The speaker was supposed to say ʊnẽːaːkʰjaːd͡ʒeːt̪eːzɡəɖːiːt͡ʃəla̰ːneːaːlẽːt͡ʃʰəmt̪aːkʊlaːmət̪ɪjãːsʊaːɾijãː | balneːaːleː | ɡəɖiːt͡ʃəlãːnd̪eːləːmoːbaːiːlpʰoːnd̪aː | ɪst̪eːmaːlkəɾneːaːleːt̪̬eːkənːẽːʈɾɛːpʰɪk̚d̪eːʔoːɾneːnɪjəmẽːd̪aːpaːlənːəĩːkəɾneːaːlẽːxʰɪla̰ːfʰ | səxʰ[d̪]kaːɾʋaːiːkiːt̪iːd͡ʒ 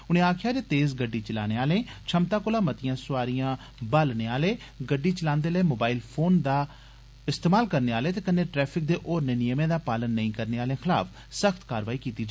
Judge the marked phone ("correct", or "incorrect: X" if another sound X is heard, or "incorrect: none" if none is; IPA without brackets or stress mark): incorrect: t̪